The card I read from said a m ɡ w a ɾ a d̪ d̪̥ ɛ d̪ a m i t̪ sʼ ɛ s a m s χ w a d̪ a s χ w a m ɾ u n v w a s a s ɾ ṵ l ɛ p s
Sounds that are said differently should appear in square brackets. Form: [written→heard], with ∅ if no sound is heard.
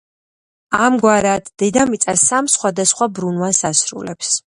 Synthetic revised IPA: a m ɡ w a ɾ a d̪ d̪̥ ɛ d̪ a m i t̪ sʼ [ɛ→a] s a m s χ w a d̪ a s χ w a [m→b] ɾ u n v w a s a s ɾ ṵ l ɛ p s